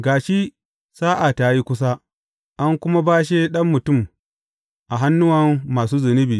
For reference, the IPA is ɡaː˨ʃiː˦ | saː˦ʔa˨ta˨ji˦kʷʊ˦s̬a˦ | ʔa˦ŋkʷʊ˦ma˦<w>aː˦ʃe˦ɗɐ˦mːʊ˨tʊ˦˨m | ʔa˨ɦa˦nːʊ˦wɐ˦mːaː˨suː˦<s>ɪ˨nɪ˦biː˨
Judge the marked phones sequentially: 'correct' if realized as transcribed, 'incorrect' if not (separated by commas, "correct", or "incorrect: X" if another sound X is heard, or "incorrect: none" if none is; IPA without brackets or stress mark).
incorrect: b, incorrect: z